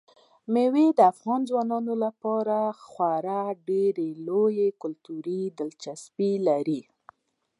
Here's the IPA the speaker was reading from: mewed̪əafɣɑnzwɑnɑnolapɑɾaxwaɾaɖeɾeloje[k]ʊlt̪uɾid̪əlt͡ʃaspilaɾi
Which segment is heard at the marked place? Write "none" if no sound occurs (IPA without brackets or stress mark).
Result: k